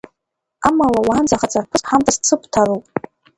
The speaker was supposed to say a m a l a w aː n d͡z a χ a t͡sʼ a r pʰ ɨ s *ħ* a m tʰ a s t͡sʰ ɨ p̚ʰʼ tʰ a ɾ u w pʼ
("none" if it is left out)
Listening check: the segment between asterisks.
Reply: ħ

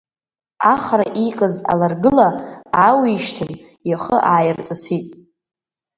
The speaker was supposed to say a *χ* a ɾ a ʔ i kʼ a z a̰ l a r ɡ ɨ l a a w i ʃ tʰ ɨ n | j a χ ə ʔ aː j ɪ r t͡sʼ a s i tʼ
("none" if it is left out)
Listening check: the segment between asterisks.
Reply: χ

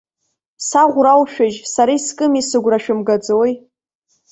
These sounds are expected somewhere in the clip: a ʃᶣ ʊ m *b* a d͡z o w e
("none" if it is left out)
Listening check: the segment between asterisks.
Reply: ɡ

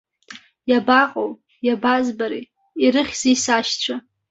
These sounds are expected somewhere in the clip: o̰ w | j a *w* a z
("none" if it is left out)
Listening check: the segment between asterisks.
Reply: b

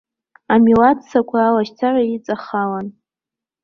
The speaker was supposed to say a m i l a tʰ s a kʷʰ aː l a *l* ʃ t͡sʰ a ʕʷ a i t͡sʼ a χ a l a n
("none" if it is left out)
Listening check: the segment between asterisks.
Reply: none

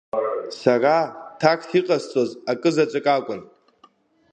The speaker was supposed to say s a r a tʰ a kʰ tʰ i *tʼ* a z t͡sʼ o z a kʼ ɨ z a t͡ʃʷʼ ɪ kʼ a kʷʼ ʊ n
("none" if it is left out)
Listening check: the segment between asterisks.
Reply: qʼ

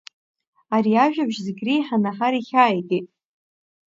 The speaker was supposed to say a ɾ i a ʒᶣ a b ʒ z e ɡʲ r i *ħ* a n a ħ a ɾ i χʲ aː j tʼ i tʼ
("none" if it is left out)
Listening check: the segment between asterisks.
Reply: ħ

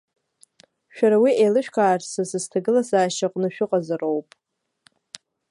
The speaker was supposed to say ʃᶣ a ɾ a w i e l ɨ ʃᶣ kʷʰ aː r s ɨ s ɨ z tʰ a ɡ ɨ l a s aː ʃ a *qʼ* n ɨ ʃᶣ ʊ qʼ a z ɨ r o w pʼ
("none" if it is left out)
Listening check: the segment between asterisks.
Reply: qʼ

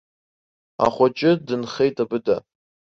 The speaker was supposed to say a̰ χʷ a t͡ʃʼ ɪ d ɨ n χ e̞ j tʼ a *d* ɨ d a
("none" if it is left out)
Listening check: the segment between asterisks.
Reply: b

